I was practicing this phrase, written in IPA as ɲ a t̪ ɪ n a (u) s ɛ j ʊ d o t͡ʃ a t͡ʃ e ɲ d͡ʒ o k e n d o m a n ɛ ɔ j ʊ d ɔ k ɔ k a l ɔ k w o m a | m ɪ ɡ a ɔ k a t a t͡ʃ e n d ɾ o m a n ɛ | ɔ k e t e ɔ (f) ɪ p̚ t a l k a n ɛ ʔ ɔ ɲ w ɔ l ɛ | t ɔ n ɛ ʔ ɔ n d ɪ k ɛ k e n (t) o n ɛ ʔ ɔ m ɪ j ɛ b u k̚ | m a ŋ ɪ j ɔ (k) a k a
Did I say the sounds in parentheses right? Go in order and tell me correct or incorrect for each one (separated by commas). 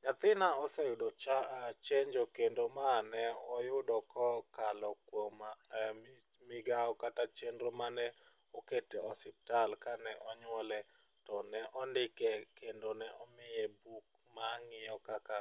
incorrect, incorrect, incorrect, correct